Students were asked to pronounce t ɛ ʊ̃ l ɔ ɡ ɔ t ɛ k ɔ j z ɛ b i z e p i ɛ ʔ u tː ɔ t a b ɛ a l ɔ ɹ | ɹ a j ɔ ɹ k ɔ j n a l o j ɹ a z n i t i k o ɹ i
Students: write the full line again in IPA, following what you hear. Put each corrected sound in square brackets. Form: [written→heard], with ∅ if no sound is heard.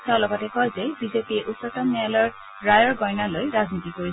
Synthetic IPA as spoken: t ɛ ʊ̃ l ɔ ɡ ɔ t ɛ k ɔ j z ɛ b i z e p i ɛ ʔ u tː ɔ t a [b→m] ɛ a l ɔ ɹ | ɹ a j ɔ ɹ [k→ɡ] ɔ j n a l o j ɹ a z n i t i k o ɹ i